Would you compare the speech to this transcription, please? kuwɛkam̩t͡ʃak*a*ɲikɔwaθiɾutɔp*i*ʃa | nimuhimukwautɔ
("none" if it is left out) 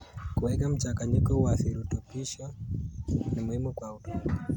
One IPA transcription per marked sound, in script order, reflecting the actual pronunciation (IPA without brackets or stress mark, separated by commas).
a, i